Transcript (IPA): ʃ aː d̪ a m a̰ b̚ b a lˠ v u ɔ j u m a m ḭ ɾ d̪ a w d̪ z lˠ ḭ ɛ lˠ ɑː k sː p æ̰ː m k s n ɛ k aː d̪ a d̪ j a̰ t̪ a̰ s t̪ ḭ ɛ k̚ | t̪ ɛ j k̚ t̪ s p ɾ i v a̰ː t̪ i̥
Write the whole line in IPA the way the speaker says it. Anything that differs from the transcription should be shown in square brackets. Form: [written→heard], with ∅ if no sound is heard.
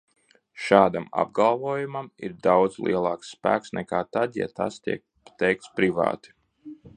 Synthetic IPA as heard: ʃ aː d̪ a m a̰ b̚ [b→ɡ] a lˠ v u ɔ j u m a m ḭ ɾ d̪ a w d̪ z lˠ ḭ ɛ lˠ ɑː k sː p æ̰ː [m→∅] k s n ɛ k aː [d̪→t̪] a d̪ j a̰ t̪ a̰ s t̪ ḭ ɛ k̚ | t̪ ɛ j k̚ t̪ s p ɾ i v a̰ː t̪ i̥